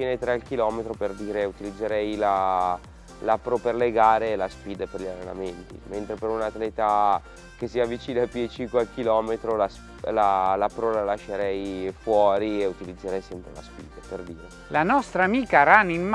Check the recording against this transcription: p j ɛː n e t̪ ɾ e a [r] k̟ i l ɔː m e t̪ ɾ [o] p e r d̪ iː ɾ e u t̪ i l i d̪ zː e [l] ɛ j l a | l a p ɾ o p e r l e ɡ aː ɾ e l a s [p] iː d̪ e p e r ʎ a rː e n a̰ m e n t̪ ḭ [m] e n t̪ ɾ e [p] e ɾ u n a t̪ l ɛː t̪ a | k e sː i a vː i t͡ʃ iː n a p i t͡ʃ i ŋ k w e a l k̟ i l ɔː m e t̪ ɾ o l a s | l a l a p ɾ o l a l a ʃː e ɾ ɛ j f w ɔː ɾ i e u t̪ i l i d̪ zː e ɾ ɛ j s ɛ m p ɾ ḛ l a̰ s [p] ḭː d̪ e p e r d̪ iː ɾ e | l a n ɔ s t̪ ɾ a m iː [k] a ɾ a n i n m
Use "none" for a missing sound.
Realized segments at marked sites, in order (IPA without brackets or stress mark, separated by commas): l, o, ɾ, p, m, p, p, k